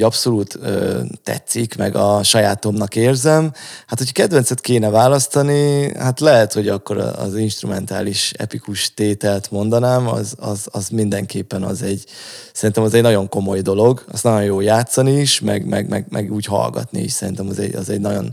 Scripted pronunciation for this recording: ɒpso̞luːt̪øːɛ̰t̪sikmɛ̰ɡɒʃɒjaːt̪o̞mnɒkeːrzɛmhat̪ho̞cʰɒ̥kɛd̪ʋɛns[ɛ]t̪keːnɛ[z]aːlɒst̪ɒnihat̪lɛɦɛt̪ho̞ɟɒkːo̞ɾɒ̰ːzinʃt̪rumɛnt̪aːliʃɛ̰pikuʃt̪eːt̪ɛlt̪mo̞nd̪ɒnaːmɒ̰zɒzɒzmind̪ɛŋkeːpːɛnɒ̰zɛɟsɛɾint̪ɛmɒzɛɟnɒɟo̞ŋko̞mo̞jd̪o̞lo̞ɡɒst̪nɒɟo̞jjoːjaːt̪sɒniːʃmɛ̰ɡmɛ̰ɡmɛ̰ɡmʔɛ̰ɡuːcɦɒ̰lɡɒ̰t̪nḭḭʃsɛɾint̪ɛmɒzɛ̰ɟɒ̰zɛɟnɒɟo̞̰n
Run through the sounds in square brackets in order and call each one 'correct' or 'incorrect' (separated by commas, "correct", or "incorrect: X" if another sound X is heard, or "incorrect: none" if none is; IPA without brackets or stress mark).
correct, incorrect: v